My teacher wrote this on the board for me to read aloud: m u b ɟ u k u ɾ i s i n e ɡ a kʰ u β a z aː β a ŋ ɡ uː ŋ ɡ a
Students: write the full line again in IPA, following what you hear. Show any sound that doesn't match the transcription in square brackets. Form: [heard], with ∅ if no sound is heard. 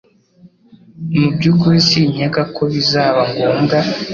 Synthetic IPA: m u b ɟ u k u ɾ i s i [ɲ] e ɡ a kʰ [o] β [i] z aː β a ŋ ɡ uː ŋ ɡ a